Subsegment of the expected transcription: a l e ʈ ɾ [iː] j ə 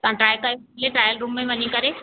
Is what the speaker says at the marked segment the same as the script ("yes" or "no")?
no